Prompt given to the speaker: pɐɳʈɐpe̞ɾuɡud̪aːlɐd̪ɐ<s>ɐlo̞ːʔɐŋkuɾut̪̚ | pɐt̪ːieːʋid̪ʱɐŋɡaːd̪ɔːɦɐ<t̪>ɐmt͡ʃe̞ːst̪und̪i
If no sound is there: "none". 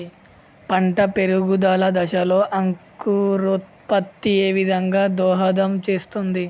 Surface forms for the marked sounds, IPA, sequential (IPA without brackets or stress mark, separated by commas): ʃ, d̪